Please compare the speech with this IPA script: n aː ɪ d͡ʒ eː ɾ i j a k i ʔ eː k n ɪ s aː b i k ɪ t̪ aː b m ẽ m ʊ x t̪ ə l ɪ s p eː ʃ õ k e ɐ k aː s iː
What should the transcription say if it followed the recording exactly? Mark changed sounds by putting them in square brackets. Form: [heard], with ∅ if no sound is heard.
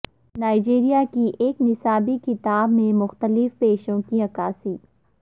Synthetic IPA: n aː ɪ d͡ʒ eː ɾ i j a k i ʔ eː k n ɪ s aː b i k ɪ t̪ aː b m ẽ m ʊ x t̪ ə l ɪ [f] p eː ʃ õ k [i] ɐ k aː s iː